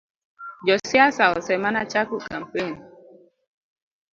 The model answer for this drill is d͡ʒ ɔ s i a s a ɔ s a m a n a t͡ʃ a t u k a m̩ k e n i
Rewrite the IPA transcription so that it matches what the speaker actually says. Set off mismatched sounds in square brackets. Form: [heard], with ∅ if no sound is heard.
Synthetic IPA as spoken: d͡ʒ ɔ s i a s a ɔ s [ɛ] m a n a t͡ʃ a [k] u k a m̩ [p] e n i